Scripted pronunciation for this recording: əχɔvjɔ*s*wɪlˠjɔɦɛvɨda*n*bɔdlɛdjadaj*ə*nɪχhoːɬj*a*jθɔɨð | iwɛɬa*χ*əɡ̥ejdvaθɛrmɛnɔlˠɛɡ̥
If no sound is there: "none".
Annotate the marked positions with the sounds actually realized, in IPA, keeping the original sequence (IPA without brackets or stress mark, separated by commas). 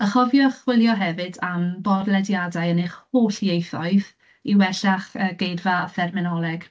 χ, m, ə, e, χ